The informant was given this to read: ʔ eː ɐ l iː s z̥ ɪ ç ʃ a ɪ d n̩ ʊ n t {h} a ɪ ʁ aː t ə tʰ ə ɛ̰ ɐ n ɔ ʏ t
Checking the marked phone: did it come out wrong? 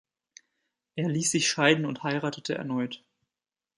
no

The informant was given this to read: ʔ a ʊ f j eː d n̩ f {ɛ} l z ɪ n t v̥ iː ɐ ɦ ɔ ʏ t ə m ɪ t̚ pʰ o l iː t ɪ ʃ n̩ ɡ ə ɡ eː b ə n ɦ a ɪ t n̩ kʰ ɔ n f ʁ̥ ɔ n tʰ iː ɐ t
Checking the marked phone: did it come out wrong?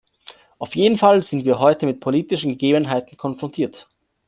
yes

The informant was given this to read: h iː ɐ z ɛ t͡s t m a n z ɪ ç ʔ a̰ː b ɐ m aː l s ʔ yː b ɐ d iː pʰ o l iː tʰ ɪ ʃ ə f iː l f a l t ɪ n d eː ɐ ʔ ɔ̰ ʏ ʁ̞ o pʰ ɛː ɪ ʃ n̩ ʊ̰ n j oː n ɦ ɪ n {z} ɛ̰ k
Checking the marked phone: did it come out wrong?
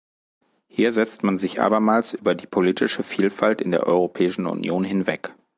yes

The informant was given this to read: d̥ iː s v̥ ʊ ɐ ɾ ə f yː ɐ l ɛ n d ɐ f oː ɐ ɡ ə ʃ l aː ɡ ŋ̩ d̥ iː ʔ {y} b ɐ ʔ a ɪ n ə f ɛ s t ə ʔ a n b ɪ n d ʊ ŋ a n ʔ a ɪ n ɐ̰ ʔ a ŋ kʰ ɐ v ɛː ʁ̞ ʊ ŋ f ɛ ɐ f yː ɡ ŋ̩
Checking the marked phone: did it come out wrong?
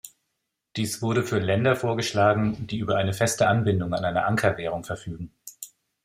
yes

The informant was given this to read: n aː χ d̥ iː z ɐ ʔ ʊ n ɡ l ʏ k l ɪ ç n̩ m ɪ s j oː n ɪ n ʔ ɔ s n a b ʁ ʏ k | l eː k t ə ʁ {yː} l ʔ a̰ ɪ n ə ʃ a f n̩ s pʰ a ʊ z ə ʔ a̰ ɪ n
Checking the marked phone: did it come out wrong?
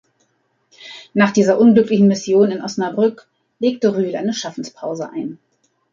no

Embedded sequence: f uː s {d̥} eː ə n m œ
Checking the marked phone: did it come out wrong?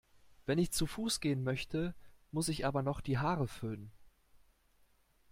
yes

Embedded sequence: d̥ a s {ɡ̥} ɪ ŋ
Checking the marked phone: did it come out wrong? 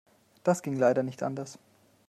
no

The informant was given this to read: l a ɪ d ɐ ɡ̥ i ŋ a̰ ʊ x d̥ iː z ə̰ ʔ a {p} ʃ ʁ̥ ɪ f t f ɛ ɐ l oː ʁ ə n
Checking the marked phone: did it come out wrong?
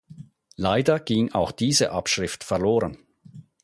no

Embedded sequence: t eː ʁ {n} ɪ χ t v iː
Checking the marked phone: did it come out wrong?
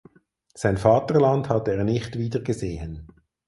no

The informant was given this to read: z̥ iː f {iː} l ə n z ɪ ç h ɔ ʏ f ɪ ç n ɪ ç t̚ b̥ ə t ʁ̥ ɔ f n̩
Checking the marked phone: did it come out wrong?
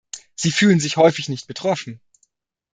yes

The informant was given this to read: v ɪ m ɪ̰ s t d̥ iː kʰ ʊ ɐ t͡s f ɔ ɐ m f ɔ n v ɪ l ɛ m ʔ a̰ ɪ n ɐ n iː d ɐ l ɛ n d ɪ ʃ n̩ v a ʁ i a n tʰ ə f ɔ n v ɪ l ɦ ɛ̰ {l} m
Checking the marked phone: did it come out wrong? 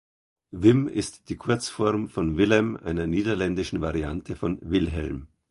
no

